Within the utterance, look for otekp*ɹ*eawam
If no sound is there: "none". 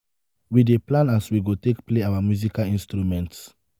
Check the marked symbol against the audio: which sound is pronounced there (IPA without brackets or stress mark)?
l